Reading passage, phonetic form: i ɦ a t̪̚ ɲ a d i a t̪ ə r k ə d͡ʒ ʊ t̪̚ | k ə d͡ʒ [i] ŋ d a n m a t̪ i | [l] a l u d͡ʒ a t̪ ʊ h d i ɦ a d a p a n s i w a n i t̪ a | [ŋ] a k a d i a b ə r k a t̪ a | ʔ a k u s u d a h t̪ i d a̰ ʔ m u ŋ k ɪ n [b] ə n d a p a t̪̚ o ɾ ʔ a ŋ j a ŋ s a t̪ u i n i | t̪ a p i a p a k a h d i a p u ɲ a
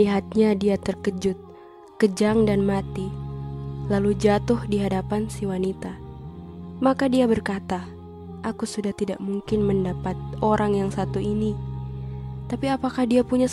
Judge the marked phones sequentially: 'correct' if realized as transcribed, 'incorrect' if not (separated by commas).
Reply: incorrect, correct, incorrect, incorrect